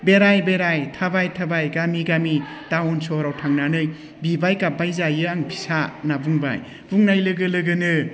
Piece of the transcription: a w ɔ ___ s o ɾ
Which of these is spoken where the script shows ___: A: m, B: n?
B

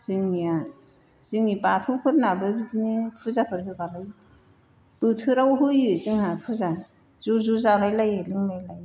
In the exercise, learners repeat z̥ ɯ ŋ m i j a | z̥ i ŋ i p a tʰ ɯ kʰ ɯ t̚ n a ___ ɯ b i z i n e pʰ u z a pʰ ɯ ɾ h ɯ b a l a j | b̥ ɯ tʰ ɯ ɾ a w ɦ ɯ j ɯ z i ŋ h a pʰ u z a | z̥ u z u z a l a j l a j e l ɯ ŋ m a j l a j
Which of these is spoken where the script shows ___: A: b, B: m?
A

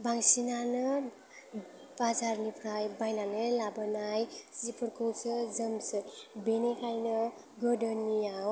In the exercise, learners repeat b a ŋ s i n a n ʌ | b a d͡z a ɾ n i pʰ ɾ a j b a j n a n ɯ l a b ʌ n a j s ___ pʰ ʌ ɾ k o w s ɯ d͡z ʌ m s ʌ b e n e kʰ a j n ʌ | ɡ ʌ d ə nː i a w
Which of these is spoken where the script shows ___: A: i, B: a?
A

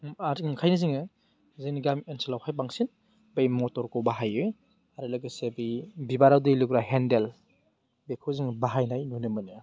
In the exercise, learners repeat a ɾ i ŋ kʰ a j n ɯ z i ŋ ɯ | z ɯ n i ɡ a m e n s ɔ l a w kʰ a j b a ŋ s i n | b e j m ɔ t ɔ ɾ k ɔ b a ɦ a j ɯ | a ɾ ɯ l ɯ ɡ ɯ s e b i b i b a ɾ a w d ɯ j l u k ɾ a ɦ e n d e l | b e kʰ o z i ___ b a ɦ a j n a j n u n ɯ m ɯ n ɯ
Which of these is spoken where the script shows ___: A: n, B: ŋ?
B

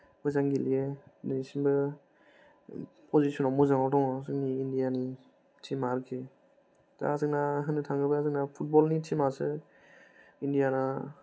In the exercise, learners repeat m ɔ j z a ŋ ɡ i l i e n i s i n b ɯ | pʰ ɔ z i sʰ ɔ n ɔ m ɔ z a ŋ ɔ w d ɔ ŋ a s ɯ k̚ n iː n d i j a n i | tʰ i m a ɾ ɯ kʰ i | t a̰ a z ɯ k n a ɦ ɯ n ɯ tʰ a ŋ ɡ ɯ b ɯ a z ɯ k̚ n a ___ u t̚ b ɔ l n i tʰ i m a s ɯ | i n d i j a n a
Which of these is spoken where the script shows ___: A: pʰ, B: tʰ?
A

